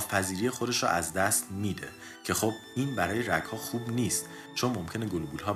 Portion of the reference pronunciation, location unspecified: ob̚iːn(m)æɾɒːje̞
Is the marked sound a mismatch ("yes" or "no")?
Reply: yes